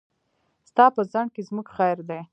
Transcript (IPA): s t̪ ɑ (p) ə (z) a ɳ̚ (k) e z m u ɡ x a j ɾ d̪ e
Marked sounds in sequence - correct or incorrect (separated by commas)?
correct, correct, correct